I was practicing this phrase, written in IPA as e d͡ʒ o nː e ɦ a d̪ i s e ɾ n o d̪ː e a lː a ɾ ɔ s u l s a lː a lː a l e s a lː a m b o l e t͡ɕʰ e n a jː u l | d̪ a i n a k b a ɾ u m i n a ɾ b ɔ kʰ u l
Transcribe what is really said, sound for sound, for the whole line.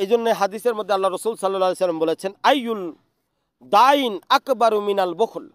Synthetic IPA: e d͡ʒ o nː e ɦ a d̪ i s e ɾ m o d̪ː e a lː a ɾ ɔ s u l s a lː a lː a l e s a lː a m b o l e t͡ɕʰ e n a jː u l | d̪ a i n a k b a ɾ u m i n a l b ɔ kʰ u l